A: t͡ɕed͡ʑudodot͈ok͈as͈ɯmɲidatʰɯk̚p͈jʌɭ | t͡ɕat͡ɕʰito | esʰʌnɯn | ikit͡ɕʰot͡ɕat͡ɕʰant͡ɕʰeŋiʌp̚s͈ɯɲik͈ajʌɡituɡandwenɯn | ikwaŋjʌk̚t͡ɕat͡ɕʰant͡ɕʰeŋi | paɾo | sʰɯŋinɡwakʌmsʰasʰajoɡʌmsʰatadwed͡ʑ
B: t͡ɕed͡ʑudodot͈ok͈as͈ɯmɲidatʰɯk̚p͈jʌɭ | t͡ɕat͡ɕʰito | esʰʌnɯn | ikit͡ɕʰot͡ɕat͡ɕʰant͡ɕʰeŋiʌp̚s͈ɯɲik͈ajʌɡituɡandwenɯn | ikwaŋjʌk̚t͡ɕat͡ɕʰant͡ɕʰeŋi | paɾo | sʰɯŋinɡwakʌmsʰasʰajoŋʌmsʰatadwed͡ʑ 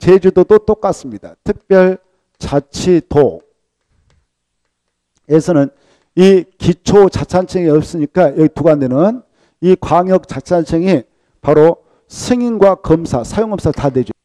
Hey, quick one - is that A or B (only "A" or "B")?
B